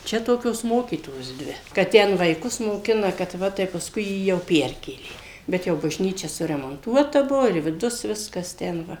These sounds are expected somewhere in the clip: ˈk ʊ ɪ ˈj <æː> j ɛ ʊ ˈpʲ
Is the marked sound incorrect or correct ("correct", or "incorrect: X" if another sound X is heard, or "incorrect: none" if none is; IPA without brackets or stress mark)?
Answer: incorrect: iː